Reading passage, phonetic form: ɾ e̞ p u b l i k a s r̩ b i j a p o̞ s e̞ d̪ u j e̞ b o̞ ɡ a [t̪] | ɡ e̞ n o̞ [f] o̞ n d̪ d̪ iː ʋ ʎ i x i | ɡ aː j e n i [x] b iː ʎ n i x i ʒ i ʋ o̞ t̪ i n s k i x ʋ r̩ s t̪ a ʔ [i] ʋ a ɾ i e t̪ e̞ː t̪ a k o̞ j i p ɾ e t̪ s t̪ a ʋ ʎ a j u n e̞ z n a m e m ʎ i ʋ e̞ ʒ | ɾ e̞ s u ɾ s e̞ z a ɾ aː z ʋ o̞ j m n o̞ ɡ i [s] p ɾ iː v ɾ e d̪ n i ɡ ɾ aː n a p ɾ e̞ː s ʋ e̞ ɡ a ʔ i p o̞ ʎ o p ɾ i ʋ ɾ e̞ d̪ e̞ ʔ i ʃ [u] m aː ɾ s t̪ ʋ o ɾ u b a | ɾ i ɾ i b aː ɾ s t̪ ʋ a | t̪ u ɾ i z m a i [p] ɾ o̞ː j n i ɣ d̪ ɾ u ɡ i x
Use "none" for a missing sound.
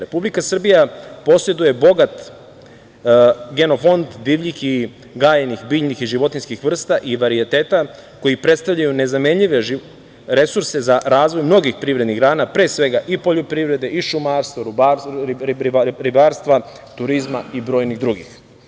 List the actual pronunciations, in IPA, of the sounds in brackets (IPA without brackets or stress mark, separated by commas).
t̪, f, x, i, x, u, b